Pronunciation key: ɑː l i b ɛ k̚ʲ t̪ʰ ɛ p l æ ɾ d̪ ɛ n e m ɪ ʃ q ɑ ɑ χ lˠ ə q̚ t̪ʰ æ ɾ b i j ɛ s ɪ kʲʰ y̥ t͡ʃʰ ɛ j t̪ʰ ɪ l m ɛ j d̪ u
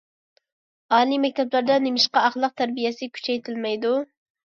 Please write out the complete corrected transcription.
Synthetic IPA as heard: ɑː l i m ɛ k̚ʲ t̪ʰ ɛ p l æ ɾ d̪ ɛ n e m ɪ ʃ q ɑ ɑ χ lˠ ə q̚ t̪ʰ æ ɾ b i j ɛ s ɪ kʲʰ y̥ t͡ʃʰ ɛ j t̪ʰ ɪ l m ɛ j d̪ u